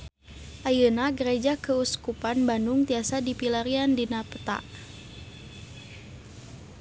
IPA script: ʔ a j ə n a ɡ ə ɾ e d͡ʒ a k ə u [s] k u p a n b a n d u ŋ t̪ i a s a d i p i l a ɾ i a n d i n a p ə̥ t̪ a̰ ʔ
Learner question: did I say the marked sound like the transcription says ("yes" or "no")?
yes